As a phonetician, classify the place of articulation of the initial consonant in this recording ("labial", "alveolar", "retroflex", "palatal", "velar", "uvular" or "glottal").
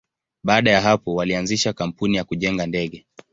labial